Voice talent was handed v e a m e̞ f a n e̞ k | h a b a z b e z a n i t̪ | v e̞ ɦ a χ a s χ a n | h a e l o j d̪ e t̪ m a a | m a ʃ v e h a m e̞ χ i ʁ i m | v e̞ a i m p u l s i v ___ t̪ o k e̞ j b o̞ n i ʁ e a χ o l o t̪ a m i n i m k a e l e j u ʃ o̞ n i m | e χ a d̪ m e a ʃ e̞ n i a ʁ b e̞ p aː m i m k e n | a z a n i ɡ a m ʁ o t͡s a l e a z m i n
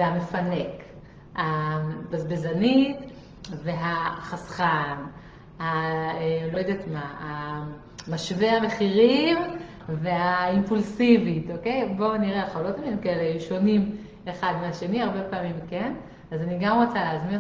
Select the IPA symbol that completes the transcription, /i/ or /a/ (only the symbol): i